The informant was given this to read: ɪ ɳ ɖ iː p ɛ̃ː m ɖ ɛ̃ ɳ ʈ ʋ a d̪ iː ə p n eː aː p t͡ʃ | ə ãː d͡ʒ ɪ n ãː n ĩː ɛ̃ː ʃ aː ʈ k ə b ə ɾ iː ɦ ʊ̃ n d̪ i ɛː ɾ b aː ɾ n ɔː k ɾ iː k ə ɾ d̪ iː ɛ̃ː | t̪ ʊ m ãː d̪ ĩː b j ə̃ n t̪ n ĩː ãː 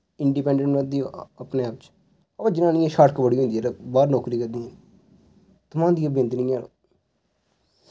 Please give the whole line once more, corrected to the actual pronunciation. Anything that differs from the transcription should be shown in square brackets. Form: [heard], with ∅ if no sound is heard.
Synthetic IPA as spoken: ɪ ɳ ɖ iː p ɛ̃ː [ɳ] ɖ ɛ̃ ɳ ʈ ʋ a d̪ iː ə p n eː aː p t͡ʃ | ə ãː d͡ʒ ɪ n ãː n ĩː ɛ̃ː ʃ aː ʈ k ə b ə [ɽ] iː ɦ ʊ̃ n d̪ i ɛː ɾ b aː ɾ n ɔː k ɾ iː k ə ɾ d̪ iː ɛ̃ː | t̪ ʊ m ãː d̪ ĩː b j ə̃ n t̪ n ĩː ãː